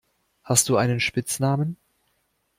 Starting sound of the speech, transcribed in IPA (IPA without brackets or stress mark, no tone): h